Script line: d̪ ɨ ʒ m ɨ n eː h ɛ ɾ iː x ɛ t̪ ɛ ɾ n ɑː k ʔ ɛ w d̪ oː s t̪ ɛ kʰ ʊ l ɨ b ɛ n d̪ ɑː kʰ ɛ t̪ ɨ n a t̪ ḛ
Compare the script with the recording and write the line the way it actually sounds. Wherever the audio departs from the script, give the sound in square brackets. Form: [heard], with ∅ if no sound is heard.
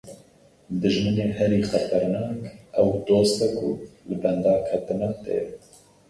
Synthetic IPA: d̪ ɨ ʒ m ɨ n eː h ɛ ɾ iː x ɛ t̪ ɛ ɾ n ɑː k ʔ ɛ w d̪ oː s t̪ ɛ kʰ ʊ l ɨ b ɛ n d̪ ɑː kʰ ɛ t̪ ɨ n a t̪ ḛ